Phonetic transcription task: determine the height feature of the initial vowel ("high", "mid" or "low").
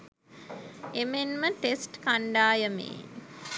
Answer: mid